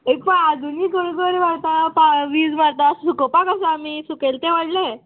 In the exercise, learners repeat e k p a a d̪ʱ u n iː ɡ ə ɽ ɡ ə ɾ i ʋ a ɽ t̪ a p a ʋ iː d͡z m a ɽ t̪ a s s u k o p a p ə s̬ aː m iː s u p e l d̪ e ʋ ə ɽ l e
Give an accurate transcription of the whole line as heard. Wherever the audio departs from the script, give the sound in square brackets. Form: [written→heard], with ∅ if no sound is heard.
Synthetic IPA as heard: e k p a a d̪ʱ u n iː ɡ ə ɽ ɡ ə ɾ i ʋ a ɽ t̪ a p a ʋ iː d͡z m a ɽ t̪ a s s u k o p a [p→k] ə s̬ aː m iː s u [p→k] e l [d̪→t̪] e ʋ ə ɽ l e